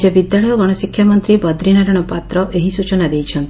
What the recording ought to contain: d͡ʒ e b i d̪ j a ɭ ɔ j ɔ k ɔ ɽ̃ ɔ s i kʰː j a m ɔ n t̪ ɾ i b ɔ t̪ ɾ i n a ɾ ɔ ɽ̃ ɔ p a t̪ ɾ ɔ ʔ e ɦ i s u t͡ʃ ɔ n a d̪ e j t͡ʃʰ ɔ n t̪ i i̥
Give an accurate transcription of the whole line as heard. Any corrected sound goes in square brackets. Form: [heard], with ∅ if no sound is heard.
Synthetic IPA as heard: d͡ʒ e b i d̪ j a ɭ ɔ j ɔ [ɡ] ɔ ɽ̃ ɔ s i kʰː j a m ɔ n t̪ ɾ i b ɔ [d̪] ɾ i n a ɾ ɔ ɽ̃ ɔ p a t̪ ɾ ɔ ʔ e ɦ i s u t͡ʃ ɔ n a d̪ e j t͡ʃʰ ɔ n t̪ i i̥

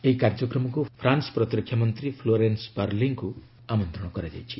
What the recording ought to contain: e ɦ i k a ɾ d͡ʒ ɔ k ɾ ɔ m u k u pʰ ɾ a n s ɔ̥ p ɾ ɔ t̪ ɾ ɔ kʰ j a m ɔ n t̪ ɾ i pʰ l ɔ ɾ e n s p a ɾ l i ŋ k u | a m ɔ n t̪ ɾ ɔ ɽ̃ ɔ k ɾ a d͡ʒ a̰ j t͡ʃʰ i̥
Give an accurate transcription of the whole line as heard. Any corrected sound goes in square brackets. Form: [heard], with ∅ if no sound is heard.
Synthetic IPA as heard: e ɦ i k a ɾ d͡ʒ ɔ k ɾ ɔ m [ɔ] k u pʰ ɾ a n s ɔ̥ p ɾ ɔ t̪ ɾ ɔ kʰ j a m ɔ n t̪ ɾ i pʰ l [o] ɾ e n s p a ɾ l i ŋ k u | a m ɔ n t̪ ɾ ɔ ɽ̃ ɔ k ɾ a d͡ʒ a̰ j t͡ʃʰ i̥

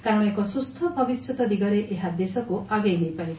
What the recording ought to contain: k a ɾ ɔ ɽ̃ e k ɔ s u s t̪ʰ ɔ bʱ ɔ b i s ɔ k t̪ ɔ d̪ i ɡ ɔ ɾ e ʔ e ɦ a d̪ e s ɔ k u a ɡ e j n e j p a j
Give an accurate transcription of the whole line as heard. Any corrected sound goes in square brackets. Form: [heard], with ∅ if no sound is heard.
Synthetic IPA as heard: k a ɾ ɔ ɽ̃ e k ɔ s u s t̪ʰ ɔ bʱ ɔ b i s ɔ [∅] t̪ ɔ d̪ i ɡ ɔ ɾ e ʔ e ɦ a d̪ e s ɔ k u a ɡ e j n e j p a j

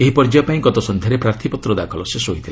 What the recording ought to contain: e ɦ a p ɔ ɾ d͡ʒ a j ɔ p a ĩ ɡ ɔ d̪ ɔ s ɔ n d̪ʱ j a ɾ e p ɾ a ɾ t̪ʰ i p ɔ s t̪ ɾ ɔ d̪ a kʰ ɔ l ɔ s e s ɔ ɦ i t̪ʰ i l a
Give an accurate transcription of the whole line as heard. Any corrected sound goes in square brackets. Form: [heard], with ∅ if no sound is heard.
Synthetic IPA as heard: e ɦ [i] p ɔ ɾ d͡ʒ a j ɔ p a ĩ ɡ ɔ [t̪] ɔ s ɔ n d̪ʱ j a ɾ e p ɾ a ɾ t̪ʰ i p ɔ [∅] t̪ ɾ ɔ d̪ a kʰ ɔ l ɔ s e s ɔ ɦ i t̪ʰ i l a

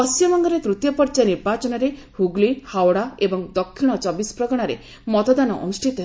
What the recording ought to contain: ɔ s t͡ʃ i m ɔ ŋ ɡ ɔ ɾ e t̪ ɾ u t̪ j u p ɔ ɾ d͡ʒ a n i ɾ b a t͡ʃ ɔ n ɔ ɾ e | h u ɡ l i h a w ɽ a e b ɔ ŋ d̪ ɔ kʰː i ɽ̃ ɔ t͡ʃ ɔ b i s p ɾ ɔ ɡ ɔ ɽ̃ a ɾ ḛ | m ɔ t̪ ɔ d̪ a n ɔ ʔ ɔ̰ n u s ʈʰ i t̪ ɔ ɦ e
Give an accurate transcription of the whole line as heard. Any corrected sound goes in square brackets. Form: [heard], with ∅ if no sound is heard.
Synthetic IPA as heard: ɔ s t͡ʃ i m ɔ ŋ ɡ ɔ ɾ e t̪ ɾ u t̪ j [ɔ] p ɔ ɾ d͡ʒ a n i ɾ b a t͡ʃ ɔ n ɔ ɾ e | h u ɡ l i h a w ɽ a e b ɔ ŋ d̪ ɔ kʰː i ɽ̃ ɔ t͡ʃ ɔ b i s p ɾ ɔ ɡ ɔ ɽ̃ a ɾ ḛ | m ɔ t̪ ɔ d̪ a n ɔ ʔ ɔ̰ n u s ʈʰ i t̪ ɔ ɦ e

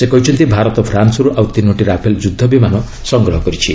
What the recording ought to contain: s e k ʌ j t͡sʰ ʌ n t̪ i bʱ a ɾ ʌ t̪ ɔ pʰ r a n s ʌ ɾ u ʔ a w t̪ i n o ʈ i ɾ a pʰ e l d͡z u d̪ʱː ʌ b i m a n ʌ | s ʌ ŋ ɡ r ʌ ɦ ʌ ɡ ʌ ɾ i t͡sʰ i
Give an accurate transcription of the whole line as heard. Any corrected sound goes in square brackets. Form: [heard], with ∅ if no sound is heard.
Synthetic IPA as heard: s e k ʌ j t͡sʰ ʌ n t̪ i bʱ a ɾ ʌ t̪ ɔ pʰ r a n s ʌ ɾ u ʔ a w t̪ i n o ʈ i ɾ a pʰ e l d͡z u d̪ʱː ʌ b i m a n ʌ | s ʌ ŋ ɡ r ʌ ɦ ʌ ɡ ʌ ɾ i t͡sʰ i

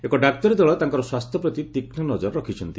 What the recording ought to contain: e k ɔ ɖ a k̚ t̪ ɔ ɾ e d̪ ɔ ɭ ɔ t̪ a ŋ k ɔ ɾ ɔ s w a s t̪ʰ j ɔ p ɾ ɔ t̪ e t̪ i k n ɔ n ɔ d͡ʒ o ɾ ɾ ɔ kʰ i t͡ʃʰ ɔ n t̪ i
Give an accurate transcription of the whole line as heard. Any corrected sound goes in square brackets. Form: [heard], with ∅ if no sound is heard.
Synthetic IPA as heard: e k ɔ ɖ a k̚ t̪ ɔ ɾ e d̪ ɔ ɭ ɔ t̪ a ŋ k ɔ ɾ ɔ s w a s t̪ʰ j ɔ p ɾ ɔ t̪ [i] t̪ i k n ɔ n ɔ d͡ʒ [ɔ] ɾ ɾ ɔ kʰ i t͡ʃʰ ɔ n t̪ i

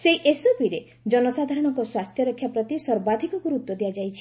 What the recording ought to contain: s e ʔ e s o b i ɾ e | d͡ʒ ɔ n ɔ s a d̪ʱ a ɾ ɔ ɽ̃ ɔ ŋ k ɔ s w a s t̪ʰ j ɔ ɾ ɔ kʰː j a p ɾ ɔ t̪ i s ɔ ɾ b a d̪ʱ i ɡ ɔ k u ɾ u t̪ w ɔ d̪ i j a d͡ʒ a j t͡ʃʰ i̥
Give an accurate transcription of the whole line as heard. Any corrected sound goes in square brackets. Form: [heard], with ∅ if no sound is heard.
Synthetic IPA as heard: s e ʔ e s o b i ɾ e | d͡ʒ ɔ n ɔ s a d̪ʱ a ɾ ɔ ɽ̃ ɔ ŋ k ɔ s w a s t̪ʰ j ɔ ɾ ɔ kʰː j a p ɾ ɔ t̪ i s ɔ ɾ b a d̪ʱ i [k] ɔ k u ɾ u t̪ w ɔ d̪ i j a d͡ʒ a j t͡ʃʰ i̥

